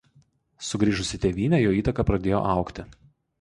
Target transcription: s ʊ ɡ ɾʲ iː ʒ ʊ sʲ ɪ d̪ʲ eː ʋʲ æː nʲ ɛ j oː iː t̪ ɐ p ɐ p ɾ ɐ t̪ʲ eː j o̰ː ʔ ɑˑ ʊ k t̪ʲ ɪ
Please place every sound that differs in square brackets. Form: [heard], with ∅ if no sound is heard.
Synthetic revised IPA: s ʊ ɡ ɾʲ iː ʒ ʊ sʲ ɪ [t̪ʲ] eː ʋʲ [iː] nʲ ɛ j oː iː t̪ ɐ [k] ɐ p ɾ ɐ [d̪ʲ] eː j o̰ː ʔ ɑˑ ʊ k t̪ʲ ɪ

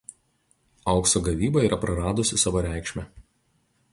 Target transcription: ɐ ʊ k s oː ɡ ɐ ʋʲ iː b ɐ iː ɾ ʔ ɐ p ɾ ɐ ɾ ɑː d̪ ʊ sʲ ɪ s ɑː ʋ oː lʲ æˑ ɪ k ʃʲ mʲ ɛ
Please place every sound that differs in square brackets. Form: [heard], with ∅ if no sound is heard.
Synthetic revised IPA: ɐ ʊ k s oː ɡ ɐ ʋʲ iː b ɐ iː ɾ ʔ ɐ p ɾ ɐ ɾ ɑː d̪ ʊ sʲ ɪ s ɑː ʋ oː [ɾʲ] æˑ ɪ k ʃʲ mʲ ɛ

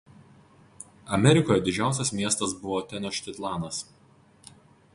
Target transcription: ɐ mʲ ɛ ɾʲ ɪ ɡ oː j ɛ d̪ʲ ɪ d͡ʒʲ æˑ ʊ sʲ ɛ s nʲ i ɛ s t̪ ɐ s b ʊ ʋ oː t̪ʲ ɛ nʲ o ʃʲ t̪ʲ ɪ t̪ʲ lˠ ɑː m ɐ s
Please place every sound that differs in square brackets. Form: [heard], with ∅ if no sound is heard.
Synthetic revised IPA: ɐ mʲ ɛ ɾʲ ɪ [k] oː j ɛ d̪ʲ ɪ d͡ʒʲ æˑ ʊ sʲ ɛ s [mʲ] i ɛ s t̪ ɐ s b ʊ ʋ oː t̪ʲ ɛ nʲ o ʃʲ t̪ʲ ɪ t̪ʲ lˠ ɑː [n] ɐ s

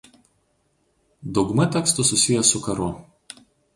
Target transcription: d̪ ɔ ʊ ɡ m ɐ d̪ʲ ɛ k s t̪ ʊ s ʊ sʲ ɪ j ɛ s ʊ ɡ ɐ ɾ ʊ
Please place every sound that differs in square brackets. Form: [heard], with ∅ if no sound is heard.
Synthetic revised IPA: d̪ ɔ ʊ ɡ m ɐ [t̪ʲ] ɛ k s t̪ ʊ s ʊ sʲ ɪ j ɛ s ʊ [k] ɐ ɾ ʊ

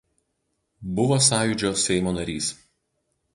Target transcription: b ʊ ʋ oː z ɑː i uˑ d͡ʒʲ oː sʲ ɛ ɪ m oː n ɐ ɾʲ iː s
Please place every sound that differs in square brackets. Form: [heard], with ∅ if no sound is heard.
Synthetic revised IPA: b ʊ ʋ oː [s] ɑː [j] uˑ d͡ʒʲ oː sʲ ɛ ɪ m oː n ɐ ɾʲ iː s

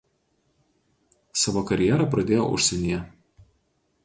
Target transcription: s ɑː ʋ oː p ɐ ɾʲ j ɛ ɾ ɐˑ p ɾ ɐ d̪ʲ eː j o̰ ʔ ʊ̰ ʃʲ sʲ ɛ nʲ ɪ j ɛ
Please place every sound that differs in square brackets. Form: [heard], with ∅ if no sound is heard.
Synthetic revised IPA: s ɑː ʋ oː [k] ɐ ɾʲ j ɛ ɾ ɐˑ p ɾ ɐ d̪ʲ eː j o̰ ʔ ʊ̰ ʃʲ sʲ ɛ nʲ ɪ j ɛ

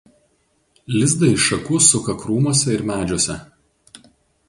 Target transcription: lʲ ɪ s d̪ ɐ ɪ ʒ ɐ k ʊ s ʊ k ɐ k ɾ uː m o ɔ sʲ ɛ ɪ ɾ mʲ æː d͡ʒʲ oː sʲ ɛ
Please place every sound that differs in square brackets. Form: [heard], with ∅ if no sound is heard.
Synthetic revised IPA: lʲ ɪ [z] d̪ ɐ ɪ [ʃ] ɐ k ʊ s ʊ k ɐ k ɾ uː m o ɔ sʲ ɛ ɪ ɾ mʲ æː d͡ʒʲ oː sʲ ɛ

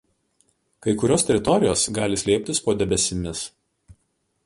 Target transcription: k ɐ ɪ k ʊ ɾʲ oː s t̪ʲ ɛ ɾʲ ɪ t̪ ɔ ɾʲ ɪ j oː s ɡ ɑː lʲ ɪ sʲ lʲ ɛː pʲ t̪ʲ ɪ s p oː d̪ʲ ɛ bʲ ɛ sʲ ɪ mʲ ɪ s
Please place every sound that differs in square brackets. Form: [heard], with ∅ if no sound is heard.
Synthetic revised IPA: k ɐ ɪ k ʊ ɾʲ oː s t̪ʲ ɛ ɾʲ ɪ t̪ ɔ ɾʲ ɪ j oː s ɡ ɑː lʲ ɪ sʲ lʲ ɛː pʲ t̪ʲ ɪ s p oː d̪ʲ ɛ bʲ ɛ sʲ ɪ mʲ ɪ s

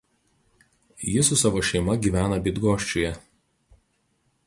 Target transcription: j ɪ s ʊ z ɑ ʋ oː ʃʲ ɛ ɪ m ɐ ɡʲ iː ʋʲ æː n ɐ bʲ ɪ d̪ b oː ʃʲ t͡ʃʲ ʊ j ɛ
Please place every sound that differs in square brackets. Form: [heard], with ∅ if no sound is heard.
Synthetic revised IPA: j ɪ s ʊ [s] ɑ ʋ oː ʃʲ ɛ ɪ m ɐ ɡʲ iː ʋʲ æː n ɐ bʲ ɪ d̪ [ɡ] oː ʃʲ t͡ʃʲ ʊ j ɛ

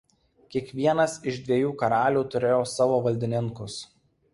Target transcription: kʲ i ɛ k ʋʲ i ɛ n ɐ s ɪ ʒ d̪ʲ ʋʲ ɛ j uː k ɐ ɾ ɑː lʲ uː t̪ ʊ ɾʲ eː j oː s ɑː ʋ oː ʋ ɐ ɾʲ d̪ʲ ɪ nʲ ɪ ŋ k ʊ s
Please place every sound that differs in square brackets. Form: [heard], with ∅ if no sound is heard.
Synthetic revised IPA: kʲ i ɛ k ʋʲ i ɛ n ɐ s ɪ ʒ d̪ʲ ʋʲ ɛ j uː k ɐ ɾ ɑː lʲ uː t̪ ʊ ɾʲ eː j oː s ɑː ʋ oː ʋ ɐ [lʲ] d̪ʲ ɪ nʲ ɪ ŋ k ʊ s

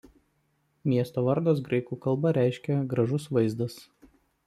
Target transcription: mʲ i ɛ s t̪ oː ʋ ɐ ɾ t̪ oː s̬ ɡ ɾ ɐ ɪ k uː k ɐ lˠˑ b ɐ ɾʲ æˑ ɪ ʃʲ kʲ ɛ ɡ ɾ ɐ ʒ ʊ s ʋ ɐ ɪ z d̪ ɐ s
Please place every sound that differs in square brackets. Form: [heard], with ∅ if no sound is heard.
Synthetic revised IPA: mʲ i ɛ s t̪ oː ʋ ɐ ɾ [d̪] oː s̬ ɡ ɾ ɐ ɪ k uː k ɐ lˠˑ b ɐ ɾʲ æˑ ɪ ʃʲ kʲ ɛ ɡ ɾ ɐ ʒ ʊ s ʋ ɐ ɪ z d̪ ɐ s

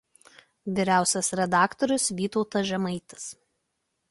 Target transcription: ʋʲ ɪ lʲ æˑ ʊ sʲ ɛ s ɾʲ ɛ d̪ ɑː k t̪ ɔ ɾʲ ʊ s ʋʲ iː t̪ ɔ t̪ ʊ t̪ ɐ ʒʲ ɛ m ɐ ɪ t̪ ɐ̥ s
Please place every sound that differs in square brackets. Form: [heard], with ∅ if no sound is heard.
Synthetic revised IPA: ʋʲ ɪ [ɾʲ] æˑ ʊ sʲ ɛ s ɾʲ ɛ d̪ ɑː k t̪ ɔ ɾʲ ʊ s ʋʲ iː t̪ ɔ [∅] ʊ t̪ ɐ ʒʲ ɛ m ɐ ɪ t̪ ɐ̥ s

